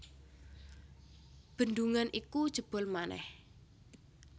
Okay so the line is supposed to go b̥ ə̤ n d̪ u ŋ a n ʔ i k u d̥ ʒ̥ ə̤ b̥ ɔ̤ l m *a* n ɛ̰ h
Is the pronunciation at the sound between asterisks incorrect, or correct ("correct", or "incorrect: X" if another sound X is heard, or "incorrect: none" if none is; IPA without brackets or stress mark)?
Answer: correct